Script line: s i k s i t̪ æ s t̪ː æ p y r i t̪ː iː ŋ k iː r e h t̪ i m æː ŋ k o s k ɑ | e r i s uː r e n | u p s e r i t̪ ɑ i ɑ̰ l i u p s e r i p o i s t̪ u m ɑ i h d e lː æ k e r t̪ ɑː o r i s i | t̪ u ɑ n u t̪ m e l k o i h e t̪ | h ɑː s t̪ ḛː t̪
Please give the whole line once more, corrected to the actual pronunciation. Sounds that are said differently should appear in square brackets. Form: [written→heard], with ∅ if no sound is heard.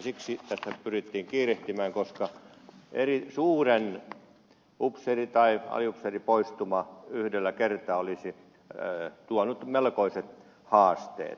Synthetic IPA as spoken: s i k s i t̪ æ s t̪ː æ p y r i t̪ː iː ŋ k iː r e h t̪ i m æː ŋ k o s k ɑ | e r i s uː r e n | u p s e r i t̪ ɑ i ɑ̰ l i u p s e r i p o i s t̪ u m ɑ [i→y] h d e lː æ k e r t̪ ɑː o [r→l] i s i | t̪ u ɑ n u t̪ m e l k o i [h→s] e t̪ | h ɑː s t̪ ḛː t̪